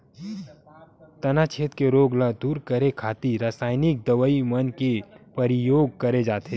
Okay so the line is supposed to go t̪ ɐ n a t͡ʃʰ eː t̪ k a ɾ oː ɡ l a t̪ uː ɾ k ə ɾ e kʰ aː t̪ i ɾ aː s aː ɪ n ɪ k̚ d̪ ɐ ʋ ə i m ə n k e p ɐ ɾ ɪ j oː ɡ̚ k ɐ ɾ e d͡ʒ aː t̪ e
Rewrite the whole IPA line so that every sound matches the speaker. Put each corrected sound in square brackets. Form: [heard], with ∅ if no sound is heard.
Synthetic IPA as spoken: t̪ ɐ n a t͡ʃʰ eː t̪ k [e] ɾ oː ɡ l a [d̪] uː ɾ k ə ɾ e kʰ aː t̪ i ɾ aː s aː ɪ n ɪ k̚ d̪ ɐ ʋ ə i m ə n k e p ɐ ɾ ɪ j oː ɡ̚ k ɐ ɾ e d͡ʒ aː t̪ e